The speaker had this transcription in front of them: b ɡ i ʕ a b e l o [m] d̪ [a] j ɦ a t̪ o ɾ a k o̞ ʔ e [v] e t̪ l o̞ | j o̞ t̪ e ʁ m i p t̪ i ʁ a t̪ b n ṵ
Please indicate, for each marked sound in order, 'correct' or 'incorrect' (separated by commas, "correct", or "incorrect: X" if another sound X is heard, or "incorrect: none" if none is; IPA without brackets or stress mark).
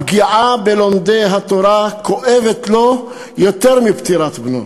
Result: correct, incorrect: e, correct